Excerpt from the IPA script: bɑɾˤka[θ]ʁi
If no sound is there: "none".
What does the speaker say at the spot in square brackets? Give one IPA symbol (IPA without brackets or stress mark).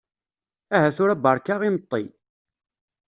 none